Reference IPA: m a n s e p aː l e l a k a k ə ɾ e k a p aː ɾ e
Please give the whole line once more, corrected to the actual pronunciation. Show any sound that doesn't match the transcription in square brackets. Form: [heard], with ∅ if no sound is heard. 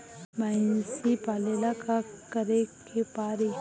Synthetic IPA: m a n s [i] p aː l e l a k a k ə ɾ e k [e] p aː ɾ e